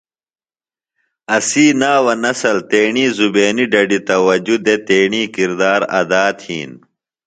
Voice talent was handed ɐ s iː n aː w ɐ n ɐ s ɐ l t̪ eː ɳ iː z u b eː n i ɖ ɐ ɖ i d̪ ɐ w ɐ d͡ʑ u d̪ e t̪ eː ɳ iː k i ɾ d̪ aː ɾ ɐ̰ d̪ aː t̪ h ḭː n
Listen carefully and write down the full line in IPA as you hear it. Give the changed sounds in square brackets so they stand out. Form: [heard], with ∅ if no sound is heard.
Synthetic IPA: ɐ s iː n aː w ɐ n ɐ s ɐ l t̪ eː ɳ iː z u b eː n i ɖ ɐ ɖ i [t̪] ɐ w ɐ d͡ʑ u d̪ e t̪ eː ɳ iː k i ɾ d̪ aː ɾ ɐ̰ d̪ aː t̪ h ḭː n